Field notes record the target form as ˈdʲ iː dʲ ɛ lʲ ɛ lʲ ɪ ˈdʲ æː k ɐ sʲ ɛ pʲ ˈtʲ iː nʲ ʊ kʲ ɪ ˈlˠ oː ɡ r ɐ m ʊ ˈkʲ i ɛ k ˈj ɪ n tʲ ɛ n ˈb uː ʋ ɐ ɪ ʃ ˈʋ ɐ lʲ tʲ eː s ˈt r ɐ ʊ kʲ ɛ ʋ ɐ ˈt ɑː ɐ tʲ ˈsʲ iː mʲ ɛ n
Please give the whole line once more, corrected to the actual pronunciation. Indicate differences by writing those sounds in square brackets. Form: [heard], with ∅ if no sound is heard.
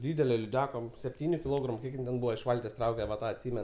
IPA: ˈdʲ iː dʲ ɛ lʲ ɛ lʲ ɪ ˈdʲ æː k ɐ sʲ ɛ pʲ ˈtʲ iː nʲ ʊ kʲ ɪ ˈlˠ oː ɡ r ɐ m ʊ ˈkʲ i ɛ k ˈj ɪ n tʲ ɛ n ˈb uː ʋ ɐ ɪ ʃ ˈʋ ɐ lʲ tʲ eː s ˈt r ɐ ʊ kʲ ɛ ʋ ɐ ˈt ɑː ɐ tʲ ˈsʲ iː mʲ ɛ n